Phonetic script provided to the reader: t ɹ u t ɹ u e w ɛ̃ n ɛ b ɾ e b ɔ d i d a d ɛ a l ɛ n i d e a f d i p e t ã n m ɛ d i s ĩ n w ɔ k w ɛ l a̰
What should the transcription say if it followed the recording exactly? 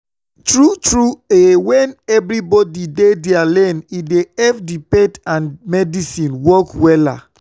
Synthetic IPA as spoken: t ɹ u t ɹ u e w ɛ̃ n ɛ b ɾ i b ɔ d i d e d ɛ a l ɛ n i d e ɛ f d i p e t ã n m ɛ d i s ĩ n w ɔ k w ɛ l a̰